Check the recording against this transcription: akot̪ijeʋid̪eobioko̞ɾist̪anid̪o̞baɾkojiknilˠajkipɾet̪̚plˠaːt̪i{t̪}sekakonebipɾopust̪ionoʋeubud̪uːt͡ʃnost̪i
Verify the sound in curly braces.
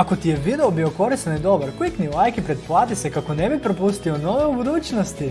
incorrect: none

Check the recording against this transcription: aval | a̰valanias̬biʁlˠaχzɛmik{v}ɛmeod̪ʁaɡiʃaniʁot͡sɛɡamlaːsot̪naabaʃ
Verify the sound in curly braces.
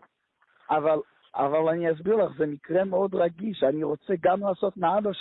incorrect: ʁ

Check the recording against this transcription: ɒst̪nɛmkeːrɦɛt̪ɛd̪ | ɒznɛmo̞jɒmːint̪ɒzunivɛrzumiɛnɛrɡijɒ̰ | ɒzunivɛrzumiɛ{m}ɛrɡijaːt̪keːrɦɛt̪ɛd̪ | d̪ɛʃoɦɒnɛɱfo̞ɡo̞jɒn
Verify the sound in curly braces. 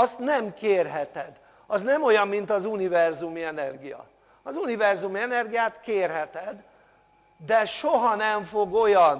incorrect: n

